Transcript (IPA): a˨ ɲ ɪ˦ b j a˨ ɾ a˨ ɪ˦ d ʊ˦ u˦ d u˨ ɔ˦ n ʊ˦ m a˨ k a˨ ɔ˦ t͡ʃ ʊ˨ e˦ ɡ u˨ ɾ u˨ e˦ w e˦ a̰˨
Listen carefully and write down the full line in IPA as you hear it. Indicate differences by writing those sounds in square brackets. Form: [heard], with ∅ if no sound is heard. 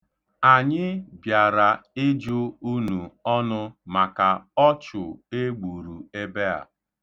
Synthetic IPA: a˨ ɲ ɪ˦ b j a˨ ɾ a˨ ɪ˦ [d͡ʒ] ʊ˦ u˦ [n] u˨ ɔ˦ n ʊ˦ m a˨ k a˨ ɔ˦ t͡ʃ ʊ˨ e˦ [ɡ͡b] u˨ ɾ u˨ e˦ [b] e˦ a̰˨